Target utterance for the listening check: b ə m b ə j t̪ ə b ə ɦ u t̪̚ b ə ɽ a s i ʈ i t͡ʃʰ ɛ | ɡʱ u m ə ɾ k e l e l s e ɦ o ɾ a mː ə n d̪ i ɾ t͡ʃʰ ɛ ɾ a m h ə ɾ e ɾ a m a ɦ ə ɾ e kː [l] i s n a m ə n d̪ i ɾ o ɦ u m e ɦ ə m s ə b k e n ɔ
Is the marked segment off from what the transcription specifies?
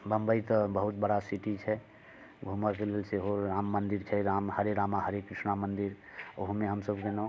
yes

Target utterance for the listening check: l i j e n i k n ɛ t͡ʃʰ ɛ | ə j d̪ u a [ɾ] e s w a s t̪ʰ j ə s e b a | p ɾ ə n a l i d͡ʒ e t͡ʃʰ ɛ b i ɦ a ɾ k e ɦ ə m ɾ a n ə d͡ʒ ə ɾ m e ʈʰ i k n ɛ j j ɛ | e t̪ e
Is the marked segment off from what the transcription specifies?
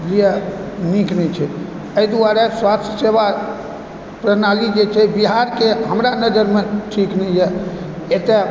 no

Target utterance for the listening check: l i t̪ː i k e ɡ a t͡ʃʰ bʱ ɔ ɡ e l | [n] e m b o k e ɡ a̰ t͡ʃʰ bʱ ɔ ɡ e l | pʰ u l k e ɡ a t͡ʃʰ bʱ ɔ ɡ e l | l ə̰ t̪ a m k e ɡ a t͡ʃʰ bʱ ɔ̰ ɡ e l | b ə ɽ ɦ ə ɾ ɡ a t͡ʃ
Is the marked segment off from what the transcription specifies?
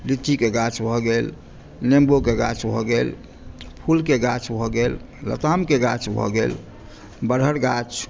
no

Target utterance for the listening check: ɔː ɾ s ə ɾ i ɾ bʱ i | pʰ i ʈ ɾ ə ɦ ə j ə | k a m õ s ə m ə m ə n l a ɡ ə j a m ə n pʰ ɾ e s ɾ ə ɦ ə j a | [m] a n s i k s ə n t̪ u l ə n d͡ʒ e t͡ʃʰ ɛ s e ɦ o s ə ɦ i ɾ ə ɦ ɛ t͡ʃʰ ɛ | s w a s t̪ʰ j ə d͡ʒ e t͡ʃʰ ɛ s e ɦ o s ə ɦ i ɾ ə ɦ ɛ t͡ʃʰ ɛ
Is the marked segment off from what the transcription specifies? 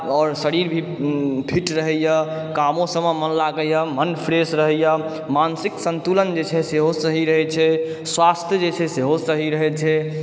no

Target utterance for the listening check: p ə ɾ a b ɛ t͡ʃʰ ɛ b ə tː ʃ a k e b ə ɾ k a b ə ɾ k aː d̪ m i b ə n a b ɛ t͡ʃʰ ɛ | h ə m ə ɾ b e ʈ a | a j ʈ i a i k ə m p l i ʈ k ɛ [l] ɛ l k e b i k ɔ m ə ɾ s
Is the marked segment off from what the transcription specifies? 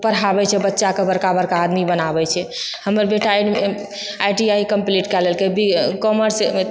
no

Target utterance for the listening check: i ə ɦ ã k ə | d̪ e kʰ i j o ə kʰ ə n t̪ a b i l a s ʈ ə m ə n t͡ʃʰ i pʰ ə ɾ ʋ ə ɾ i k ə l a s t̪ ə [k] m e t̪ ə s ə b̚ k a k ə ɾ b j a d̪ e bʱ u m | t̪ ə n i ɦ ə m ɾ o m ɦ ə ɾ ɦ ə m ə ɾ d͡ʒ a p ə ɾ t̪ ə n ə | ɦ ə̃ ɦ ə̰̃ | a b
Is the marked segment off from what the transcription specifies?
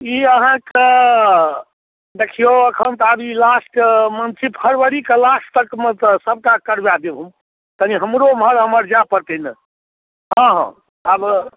no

